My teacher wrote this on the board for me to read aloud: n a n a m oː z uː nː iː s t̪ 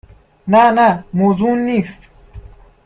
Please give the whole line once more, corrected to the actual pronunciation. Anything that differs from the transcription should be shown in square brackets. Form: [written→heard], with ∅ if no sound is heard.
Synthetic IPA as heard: n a n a m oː z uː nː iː s t̪